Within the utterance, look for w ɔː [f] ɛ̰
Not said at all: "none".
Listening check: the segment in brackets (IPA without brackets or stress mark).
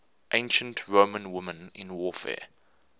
f